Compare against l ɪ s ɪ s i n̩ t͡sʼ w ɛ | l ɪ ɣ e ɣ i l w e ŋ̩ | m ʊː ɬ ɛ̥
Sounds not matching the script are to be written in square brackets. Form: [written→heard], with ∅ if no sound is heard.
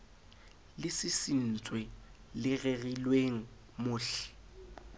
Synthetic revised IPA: l ɪ s ɪ s i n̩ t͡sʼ w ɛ | l ɪ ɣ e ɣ i l w e ŋ̩ | m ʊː ɬ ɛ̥